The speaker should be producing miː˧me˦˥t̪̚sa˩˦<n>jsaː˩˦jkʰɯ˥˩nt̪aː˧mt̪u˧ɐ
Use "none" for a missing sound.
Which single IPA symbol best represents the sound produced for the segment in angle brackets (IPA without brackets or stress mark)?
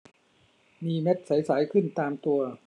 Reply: none